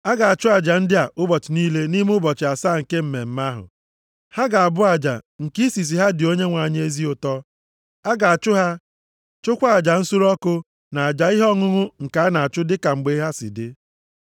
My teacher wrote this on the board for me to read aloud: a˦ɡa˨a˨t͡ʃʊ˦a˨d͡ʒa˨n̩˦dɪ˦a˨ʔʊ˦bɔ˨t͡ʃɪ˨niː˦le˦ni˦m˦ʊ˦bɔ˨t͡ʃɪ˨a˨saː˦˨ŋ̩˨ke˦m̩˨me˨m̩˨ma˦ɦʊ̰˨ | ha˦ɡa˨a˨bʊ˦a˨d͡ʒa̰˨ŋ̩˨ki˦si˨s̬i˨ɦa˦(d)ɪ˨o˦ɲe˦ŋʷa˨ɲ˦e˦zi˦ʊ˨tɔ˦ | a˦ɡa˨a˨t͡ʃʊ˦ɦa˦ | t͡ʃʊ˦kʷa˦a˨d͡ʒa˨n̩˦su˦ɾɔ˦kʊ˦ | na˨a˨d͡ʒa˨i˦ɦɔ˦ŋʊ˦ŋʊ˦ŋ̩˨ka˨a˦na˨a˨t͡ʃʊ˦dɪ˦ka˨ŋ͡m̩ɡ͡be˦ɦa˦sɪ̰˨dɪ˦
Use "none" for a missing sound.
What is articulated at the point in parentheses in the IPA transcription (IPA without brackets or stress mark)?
d